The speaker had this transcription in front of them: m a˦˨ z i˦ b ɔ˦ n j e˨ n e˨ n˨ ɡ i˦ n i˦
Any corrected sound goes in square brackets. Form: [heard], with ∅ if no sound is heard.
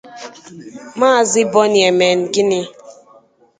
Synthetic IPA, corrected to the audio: m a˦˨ z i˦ b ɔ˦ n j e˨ [m] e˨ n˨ ɡ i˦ n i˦